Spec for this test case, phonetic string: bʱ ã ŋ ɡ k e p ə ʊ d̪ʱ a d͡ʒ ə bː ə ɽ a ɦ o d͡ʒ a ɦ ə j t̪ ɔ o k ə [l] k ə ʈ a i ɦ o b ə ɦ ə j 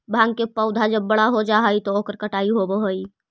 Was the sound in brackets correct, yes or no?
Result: no